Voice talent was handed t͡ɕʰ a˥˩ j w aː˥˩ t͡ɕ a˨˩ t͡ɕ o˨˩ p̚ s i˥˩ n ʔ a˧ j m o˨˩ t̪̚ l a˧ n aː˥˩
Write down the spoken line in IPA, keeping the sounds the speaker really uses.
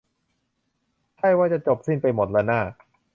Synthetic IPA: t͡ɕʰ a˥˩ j w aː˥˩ t͡ɕ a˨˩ t͡ɕ o˨˩ p̚ s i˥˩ n p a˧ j m o˨˩ t̪̚ l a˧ n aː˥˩